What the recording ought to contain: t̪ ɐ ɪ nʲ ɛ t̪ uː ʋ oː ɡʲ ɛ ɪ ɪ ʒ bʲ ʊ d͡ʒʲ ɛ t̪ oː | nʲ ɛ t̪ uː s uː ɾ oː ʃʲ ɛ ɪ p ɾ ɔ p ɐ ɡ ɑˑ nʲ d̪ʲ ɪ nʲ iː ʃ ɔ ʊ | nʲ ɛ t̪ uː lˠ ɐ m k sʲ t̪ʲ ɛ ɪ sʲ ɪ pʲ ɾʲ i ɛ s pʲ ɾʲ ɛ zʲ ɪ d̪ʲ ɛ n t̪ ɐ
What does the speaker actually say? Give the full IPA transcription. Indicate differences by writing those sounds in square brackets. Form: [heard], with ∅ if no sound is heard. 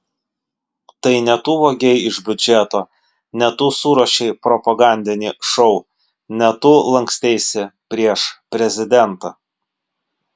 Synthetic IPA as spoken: t̪ ɐ ɪ nʲ ɛ t̪ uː ʋ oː ɡʲ ɛ ɪ ɪ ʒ bʲ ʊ d͡ʒʲ ɛ t̪ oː | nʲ ɛ t̪ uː s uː ɾ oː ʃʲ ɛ ɪ p ɾ ɔ p ɐ ɡ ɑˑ nʲ d̪ʲ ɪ nʲ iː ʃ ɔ ʊ | nʲ ɛ t̪ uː lˠ ɐ [ŋ] k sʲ t̪ʲ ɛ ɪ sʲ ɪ pʲ ɾʲ i ɛ [ʃ] pʲ ɾʲ ɛ zʲ ɪ d̪ʲ ɛ n t̪ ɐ